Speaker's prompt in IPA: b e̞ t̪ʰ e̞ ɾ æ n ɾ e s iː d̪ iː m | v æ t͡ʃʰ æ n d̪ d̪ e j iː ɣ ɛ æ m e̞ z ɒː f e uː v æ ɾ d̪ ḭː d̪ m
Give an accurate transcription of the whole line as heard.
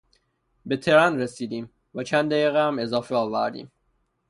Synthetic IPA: b e̞ t̪ʰ e̞ ɾ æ n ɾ e s iː d̪ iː m | v æ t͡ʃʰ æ n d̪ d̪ æ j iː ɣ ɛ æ m e̞ z ɒː f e ɒː v æ ɾ d̪ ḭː m